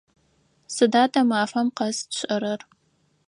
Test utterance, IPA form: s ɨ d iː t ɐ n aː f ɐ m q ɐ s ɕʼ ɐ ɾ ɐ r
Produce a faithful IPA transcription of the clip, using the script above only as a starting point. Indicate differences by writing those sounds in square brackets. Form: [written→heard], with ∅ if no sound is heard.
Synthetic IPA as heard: s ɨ d [iː→aː] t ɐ [n→m] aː f ɐ m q ɐ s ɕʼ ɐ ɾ ɐ r